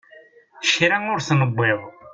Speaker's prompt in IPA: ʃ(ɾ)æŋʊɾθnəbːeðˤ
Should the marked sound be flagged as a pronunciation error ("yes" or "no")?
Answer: no